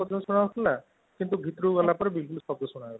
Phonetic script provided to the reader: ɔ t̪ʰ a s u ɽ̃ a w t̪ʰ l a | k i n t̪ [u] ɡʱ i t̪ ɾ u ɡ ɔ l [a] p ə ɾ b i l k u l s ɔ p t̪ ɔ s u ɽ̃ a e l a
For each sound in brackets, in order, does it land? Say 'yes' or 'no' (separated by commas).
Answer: yes, yes